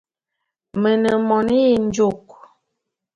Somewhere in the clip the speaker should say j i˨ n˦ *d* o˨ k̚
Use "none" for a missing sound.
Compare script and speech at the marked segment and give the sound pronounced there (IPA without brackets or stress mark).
d͡ʒ